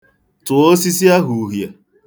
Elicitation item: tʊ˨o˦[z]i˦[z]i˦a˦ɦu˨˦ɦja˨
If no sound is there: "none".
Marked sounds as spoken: s, s

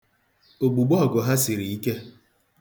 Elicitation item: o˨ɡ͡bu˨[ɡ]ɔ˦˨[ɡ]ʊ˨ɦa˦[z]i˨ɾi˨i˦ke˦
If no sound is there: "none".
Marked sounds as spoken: ɡ͡b, ɡ, s

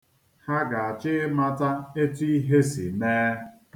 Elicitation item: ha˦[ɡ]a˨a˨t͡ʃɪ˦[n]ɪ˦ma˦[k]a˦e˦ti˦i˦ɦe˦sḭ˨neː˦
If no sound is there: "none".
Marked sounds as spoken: ɡ, none, t

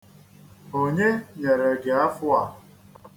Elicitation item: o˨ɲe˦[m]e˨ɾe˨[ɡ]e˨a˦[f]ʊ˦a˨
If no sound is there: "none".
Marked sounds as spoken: ɲ, ɡ, f

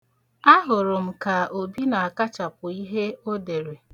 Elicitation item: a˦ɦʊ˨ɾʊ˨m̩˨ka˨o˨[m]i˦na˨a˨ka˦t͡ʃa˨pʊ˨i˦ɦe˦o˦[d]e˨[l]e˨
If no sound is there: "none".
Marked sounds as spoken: b, d, ɾ

